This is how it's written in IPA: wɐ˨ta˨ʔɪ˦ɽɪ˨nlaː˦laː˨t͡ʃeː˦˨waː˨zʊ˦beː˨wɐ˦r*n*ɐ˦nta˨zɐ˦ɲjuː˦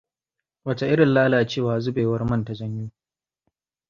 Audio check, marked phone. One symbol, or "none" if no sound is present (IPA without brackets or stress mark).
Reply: m